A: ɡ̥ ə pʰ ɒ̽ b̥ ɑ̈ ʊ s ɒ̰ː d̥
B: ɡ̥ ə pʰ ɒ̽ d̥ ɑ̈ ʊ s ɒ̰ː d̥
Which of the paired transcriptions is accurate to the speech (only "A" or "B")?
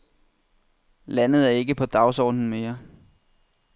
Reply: B